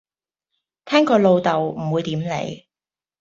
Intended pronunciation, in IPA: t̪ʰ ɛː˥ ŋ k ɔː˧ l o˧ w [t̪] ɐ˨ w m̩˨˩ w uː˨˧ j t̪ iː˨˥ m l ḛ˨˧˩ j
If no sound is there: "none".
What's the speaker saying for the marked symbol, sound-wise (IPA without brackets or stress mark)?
t̪